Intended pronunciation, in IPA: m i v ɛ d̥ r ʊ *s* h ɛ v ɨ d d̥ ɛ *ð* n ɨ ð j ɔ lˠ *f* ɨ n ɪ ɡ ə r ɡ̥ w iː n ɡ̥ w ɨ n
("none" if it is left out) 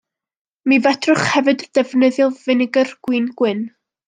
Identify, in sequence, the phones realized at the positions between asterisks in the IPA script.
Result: χ, v, v

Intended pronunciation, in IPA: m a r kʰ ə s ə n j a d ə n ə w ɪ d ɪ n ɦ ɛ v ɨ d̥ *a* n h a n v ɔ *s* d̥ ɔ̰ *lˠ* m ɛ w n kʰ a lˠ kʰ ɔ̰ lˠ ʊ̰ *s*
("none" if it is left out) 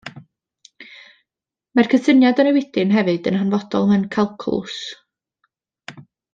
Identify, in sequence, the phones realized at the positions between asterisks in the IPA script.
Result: ə, none, lˠ, s

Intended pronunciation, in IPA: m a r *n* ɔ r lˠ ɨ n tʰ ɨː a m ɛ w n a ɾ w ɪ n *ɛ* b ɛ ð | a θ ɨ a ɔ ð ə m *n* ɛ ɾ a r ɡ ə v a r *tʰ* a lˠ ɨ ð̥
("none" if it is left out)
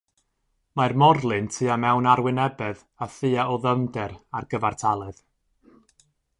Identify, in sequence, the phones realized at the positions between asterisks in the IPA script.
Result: m, ɛ, d, tʰ

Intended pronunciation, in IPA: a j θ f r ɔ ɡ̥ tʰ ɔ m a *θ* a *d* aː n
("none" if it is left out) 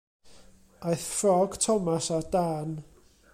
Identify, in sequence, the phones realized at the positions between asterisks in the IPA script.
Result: s, d

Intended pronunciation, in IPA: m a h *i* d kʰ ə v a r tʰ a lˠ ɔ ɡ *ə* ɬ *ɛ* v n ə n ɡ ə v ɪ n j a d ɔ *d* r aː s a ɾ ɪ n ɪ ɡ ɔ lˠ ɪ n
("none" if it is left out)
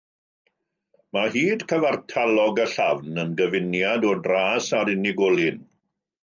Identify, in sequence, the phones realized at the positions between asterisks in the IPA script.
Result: iː, ə, a, d

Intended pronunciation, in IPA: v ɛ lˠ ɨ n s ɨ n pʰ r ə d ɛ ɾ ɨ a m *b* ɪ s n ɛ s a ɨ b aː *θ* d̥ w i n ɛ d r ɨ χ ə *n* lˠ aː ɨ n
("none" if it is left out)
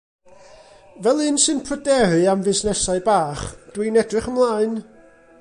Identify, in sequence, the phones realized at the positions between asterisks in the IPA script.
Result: v, χ, m

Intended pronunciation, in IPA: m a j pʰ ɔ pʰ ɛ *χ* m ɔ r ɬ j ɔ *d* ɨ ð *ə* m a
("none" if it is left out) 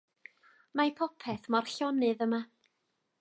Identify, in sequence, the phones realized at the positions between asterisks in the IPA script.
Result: θ, n, ə

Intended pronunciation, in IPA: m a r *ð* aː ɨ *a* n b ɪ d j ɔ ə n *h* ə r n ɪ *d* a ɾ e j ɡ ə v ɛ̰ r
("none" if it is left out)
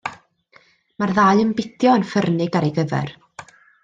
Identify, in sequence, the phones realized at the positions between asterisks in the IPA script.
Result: ð, ə, f, ɡ

